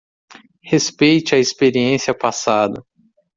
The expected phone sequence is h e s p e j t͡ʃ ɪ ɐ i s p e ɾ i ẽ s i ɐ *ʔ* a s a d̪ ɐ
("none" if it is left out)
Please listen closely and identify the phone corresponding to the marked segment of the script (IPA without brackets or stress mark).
p